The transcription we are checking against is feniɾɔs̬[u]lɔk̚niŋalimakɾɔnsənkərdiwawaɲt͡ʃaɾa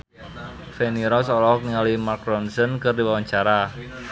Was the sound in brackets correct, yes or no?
no